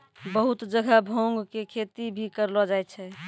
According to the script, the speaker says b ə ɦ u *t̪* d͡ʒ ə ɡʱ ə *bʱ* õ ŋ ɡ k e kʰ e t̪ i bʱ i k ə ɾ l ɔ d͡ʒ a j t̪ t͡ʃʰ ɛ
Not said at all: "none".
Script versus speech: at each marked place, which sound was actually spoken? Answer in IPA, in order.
t̪, bʱ

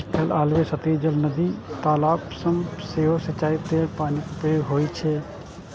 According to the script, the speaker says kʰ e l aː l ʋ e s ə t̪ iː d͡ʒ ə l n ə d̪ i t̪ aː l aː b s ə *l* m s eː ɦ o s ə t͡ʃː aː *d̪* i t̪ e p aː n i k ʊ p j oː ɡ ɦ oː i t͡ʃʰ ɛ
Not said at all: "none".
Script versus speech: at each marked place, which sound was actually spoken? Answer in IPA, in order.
none, none

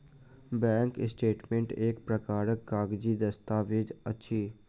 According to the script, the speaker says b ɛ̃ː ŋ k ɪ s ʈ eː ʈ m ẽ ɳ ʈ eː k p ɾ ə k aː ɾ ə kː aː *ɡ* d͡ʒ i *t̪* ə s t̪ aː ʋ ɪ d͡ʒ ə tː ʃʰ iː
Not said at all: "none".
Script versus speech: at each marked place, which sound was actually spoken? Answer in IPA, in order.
ɡ, d̪

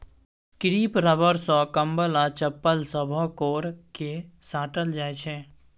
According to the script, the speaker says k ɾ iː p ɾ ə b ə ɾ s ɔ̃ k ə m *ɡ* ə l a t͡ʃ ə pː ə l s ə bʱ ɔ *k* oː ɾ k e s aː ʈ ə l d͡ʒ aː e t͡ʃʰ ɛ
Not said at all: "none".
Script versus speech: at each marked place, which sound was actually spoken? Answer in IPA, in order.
b, k

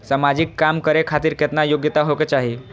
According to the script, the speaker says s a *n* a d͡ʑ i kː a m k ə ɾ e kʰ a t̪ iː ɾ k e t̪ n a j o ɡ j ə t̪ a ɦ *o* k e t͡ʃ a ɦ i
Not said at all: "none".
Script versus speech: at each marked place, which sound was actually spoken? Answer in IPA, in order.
m, o

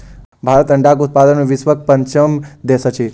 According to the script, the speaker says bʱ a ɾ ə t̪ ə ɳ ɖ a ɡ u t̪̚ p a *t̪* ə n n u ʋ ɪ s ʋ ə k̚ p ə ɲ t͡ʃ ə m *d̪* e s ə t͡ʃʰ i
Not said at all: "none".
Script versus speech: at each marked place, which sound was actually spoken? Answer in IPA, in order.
d̪, d̪

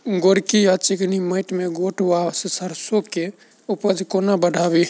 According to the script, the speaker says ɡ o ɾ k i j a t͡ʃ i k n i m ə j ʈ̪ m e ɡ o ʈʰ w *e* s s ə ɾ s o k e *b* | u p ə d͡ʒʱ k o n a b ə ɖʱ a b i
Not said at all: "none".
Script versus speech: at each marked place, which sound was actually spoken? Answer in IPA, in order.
a, none

